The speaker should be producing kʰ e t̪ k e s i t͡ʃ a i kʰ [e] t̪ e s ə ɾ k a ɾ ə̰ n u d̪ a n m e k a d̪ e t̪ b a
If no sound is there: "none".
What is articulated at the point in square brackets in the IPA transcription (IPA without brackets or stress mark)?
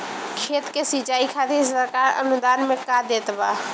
a